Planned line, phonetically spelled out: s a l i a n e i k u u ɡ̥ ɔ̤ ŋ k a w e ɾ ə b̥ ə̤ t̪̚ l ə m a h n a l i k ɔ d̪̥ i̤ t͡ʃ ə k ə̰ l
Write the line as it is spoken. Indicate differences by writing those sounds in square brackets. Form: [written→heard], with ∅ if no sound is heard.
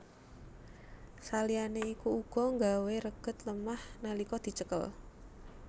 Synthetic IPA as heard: s a l i a n e i k u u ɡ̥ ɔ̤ ŋ [k→ɡ] a w e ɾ ə [b̥→ɡ̥] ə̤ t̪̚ l ə m a h n a l i k ɔ d̪̥ i̤ t͡ʃ ə k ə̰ l